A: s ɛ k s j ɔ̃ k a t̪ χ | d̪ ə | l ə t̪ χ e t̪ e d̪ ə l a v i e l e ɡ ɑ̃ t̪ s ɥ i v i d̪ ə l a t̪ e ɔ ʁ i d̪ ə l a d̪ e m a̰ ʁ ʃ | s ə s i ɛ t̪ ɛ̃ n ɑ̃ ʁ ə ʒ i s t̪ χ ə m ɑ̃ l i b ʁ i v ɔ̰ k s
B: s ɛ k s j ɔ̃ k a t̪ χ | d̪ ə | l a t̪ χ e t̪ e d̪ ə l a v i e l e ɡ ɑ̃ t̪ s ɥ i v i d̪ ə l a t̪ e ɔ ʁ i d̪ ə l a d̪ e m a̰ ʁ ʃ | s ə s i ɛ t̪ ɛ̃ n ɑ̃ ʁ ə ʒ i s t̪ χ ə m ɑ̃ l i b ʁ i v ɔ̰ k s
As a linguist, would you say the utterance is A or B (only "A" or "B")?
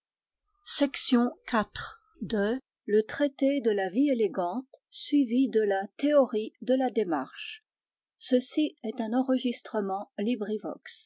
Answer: A